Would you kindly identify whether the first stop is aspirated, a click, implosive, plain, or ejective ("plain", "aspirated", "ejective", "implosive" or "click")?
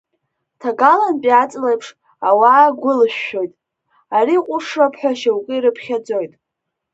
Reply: aspirated